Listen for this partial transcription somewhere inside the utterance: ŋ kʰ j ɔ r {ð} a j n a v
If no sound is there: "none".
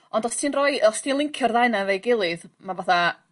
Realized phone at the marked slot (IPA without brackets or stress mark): ð